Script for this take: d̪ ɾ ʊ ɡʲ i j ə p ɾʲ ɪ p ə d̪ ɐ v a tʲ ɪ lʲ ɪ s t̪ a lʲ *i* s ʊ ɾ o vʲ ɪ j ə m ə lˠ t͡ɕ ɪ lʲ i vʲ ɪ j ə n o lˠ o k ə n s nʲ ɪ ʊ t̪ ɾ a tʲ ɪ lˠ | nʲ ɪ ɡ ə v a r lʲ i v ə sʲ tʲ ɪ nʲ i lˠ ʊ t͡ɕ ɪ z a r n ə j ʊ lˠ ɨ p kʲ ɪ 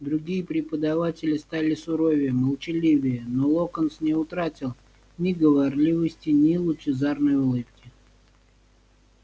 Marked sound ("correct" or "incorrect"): incorrect